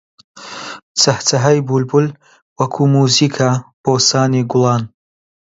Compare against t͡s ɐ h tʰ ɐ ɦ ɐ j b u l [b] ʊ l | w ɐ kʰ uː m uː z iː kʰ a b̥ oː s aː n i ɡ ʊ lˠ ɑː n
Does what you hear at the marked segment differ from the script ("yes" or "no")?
no